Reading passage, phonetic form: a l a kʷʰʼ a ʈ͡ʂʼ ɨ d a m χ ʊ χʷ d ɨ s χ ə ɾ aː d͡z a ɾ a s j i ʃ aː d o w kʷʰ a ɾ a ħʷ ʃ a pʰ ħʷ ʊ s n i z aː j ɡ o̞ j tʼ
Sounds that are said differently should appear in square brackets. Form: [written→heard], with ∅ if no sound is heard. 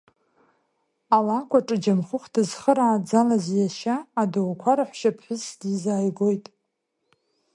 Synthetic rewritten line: a l a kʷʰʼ a ʈ͡ʂʼ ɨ [d→d͡ʒ] a m χ ʊ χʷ d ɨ [s→z] χ ə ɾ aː d͡z a [ɾ→l] a [s→z] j [i→a] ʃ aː d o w kʷʰ a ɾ a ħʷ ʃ a pʰ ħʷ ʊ s [n→d] i z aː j ɡ o̞ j tʼ